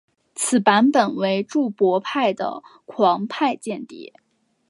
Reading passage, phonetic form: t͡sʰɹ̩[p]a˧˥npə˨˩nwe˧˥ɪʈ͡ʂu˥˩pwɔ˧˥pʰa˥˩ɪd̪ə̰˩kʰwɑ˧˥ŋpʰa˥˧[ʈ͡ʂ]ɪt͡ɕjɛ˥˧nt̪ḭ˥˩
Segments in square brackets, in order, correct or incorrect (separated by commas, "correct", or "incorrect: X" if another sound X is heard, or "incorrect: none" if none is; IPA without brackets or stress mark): correct, incorrect: none